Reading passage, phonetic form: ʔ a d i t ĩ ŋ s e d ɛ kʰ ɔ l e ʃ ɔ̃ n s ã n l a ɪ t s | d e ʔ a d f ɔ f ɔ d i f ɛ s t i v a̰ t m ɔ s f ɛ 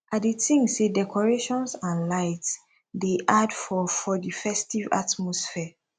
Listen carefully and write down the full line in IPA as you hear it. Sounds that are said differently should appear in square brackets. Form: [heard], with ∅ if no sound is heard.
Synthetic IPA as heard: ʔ a d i t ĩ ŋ s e d ɛ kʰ ɔ [ɹ] e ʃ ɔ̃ n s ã n l a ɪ t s | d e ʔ a d f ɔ f ɔ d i f ɛ s t i v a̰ t m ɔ s f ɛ